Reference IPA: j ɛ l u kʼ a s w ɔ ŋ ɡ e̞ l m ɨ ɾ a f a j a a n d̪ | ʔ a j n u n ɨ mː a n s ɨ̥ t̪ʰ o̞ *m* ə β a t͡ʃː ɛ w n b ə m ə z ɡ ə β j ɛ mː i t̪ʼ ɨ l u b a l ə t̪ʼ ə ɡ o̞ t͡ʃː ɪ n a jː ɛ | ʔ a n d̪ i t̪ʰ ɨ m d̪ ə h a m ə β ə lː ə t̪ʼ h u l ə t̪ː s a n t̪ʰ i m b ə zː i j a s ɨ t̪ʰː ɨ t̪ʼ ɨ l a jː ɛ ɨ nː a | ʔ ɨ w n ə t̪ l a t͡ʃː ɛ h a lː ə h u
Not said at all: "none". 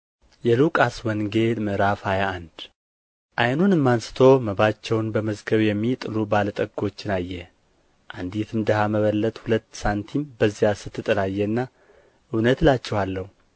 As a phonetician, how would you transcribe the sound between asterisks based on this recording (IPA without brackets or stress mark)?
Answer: m